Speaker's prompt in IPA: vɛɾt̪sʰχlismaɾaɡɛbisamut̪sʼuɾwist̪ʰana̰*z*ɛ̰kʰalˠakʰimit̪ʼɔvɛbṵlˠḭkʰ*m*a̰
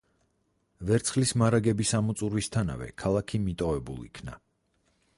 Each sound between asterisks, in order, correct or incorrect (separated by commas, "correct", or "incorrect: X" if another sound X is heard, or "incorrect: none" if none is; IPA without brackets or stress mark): incorrect: v, incorrect: n